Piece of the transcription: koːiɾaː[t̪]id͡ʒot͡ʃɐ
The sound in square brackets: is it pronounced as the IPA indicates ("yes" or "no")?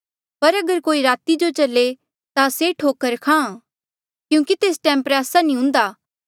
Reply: yes